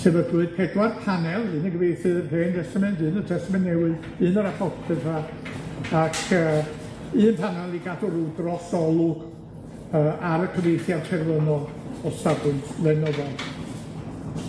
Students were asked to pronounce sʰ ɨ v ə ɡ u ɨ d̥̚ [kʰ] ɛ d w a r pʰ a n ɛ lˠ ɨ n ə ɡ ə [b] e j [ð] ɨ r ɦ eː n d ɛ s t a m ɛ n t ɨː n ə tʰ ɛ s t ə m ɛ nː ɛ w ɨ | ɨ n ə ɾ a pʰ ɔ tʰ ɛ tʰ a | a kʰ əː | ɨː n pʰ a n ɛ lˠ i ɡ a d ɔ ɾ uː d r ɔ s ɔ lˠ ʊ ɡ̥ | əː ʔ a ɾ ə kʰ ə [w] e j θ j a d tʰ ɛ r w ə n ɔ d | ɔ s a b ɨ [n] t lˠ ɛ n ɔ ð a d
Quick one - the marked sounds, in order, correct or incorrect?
incorrect, incorrect, incorrect, incorrect, correct

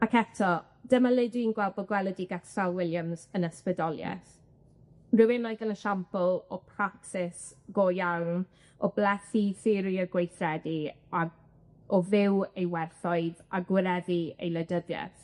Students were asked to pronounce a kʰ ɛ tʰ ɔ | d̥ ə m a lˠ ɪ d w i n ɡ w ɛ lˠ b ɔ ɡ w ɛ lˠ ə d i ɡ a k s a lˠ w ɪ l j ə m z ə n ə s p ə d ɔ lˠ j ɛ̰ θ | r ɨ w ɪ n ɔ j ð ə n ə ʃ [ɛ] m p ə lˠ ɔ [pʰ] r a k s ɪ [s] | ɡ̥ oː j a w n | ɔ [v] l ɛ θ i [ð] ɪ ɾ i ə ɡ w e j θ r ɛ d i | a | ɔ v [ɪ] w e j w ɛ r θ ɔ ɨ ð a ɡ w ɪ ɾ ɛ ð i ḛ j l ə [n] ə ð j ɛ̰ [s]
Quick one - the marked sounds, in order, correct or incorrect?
incorrect, correct, correct, incorrect, incorrect, correct, incorrect, incorrect

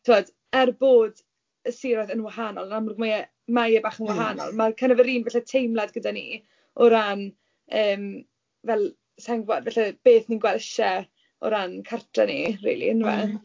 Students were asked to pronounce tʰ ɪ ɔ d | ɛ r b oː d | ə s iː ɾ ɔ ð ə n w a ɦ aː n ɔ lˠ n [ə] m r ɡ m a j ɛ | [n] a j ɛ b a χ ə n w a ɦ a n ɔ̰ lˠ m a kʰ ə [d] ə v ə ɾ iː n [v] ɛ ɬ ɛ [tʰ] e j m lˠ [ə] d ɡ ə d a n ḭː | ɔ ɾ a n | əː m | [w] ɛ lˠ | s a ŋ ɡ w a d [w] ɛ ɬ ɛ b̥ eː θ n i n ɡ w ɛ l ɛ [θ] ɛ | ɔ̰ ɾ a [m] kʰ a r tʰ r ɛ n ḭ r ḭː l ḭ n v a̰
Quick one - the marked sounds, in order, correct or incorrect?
incorrect, incorrect, incorrect, correct, correct, incorrect, incorrect, incorrect, incorrect, incorrect

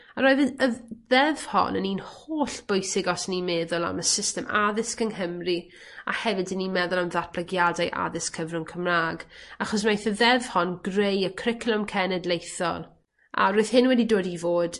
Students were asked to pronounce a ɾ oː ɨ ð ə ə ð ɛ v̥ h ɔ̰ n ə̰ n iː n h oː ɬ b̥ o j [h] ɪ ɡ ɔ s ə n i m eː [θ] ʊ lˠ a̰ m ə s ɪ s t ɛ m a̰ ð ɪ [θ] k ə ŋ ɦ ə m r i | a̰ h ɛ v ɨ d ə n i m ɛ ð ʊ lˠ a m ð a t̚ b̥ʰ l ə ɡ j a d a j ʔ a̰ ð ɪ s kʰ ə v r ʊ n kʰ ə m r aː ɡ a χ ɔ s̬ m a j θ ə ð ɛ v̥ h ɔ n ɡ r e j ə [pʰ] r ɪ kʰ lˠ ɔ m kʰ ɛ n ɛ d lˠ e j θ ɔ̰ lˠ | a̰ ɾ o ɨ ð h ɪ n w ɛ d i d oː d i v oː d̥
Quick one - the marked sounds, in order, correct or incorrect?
incorrect, incorrect, incorrect, incorrect

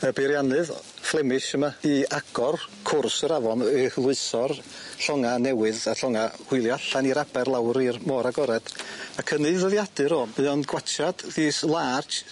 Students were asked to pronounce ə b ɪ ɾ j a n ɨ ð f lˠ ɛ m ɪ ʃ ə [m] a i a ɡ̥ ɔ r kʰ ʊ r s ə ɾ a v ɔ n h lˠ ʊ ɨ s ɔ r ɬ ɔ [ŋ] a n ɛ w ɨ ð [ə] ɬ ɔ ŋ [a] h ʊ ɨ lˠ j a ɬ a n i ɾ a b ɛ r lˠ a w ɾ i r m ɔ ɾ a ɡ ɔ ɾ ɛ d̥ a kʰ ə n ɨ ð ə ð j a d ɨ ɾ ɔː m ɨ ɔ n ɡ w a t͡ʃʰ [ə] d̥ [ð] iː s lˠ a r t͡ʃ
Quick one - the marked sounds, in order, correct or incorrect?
correct, correct, incorrect, correct, incorrect, correct

